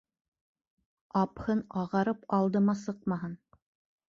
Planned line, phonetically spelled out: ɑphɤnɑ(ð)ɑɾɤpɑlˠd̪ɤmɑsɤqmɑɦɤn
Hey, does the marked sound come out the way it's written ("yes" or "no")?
no